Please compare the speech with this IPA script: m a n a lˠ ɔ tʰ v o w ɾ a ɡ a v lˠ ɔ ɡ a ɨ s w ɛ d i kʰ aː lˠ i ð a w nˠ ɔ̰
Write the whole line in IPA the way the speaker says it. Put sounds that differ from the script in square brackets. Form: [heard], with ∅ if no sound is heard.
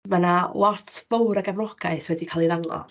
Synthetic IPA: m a n a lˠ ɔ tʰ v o w ɾ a ɡ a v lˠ ɔ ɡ a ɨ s w ɛ d i kʰ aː lˠ i ð a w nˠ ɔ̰